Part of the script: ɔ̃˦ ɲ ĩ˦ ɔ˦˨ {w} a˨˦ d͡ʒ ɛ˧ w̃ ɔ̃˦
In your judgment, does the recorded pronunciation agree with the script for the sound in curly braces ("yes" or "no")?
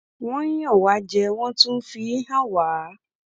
yes